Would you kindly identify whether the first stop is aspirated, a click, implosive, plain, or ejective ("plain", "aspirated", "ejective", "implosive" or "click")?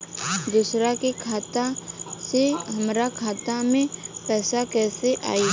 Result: plain